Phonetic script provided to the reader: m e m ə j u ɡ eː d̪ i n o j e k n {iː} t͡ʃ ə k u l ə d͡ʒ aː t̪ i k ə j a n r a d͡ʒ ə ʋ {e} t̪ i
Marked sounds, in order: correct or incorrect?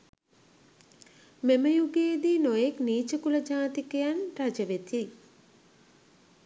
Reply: correct, correct

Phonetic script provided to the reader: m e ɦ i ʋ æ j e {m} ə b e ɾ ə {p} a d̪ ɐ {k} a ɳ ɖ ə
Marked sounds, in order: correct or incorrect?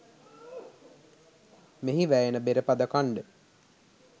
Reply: incorrect, correct, correct

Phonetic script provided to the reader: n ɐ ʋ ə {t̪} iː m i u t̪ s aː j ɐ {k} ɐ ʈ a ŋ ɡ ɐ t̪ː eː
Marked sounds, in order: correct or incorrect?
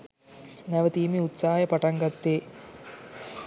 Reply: correct, incorrect

